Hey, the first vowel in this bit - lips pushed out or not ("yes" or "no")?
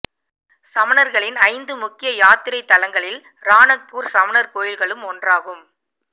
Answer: no